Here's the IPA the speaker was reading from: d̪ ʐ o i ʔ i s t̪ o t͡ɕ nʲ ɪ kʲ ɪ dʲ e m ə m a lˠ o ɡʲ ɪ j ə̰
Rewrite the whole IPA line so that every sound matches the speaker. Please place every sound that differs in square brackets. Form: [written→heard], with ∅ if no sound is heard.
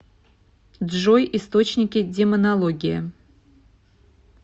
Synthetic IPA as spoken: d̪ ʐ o [i→j] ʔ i s t̪ o t͡ɕ nʲ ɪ kʲ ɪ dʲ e m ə [m→n] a lˠ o ɡʲ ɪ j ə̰